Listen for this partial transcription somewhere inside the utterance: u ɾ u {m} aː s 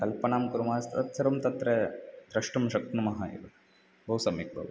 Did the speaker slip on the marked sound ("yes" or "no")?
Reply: no